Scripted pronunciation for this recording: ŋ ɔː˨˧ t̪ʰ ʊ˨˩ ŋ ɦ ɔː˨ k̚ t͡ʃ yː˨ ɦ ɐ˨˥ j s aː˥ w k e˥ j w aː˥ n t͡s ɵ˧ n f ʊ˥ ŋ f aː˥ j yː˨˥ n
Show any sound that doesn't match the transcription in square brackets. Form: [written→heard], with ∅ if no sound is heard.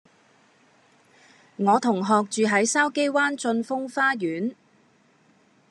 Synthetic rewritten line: ŋ ɔː˨˧ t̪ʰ ʊ˨˩ ŋ ɦ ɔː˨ k̚ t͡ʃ yː˨ ɦ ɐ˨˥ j s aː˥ w k e˥ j w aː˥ n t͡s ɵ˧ n f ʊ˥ ŋ f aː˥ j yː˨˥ n